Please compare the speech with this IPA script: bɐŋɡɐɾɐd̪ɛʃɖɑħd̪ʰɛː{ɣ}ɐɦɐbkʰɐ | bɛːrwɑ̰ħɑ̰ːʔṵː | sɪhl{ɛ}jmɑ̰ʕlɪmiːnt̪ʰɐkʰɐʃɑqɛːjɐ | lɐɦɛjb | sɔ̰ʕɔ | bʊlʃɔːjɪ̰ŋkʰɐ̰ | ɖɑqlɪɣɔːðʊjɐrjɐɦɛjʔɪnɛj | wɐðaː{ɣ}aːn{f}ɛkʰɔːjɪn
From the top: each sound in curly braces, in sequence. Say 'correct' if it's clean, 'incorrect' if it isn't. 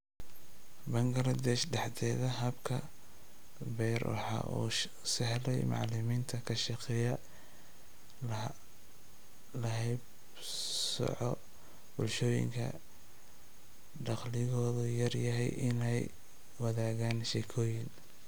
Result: incorrect: ð, correct, correct, incorrect: ʃ

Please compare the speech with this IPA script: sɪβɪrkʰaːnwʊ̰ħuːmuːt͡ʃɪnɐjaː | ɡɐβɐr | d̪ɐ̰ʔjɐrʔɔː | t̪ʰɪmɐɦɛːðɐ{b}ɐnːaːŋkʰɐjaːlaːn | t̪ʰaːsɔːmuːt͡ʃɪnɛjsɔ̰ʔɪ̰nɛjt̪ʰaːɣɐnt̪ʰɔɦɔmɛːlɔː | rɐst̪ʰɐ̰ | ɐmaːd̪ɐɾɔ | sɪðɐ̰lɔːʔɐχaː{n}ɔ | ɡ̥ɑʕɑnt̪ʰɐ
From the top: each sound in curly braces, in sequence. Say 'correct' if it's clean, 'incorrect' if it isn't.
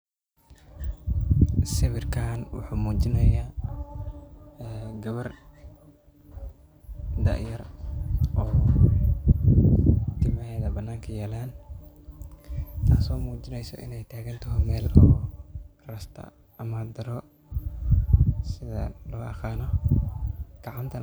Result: correct, correct

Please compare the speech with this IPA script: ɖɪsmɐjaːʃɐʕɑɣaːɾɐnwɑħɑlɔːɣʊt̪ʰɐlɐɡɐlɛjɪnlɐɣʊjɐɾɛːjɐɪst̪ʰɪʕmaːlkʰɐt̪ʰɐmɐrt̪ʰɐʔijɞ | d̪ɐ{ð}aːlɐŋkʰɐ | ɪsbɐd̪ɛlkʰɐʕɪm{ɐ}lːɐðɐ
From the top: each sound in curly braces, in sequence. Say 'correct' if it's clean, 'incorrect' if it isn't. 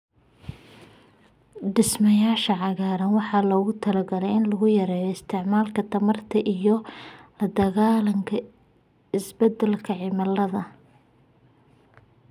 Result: incorrect: ɣ, correct

